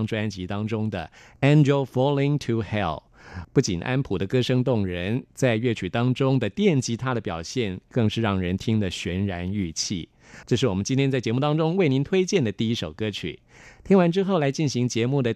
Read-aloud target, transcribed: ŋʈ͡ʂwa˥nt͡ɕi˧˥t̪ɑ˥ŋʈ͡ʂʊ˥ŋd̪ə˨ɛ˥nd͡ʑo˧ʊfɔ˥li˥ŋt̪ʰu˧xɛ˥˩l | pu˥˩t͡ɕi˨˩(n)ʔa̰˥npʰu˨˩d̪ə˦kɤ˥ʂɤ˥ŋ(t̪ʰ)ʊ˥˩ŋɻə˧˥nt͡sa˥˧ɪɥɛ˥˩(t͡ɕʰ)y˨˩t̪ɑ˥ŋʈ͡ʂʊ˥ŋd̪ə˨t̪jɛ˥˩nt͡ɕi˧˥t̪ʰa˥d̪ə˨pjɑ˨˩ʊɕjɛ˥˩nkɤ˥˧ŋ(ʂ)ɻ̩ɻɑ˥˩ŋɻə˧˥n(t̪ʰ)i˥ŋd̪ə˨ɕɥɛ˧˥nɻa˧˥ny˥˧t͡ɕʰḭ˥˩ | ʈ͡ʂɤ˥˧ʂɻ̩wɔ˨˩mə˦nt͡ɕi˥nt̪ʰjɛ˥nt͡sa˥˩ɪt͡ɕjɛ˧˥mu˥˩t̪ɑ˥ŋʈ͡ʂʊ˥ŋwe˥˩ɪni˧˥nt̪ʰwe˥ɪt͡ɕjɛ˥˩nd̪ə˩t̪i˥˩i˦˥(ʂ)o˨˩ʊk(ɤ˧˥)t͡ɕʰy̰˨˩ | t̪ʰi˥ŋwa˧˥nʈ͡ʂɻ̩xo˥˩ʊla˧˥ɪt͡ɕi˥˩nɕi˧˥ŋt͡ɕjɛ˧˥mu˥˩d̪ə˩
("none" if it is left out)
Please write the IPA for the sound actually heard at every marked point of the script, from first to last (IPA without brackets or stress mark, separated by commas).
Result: n, t̪, t͡ɕʰ, ʂ, t̪ʰ, ʂ, ɤ˥